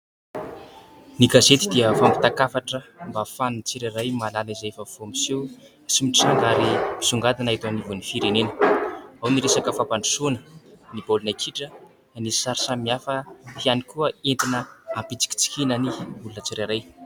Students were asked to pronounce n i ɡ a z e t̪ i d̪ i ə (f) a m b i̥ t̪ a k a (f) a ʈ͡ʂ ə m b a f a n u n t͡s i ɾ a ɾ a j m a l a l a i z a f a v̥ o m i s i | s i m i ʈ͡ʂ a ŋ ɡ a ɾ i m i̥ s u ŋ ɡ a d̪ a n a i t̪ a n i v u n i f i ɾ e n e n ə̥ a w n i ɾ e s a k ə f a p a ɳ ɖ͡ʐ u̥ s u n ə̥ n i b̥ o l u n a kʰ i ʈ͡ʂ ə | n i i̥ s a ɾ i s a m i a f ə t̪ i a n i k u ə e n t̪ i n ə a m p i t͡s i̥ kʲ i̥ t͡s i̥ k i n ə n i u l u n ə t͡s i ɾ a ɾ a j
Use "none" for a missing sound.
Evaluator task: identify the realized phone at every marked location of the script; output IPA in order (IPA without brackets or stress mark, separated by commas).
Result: f, f